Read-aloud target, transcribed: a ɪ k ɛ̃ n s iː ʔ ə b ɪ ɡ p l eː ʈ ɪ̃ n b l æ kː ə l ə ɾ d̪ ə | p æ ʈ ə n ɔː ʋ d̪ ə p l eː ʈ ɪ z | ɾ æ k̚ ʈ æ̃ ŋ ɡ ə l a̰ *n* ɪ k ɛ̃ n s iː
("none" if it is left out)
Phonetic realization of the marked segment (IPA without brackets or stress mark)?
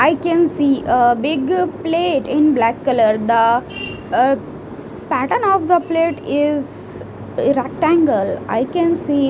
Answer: none